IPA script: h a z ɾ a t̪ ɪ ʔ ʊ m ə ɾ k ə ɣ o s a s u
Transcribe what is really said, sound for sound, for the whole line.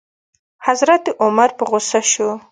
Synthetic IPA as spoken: h a z ɾ a t̪ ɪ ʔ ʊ m a ɾ p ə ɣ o s a ʃ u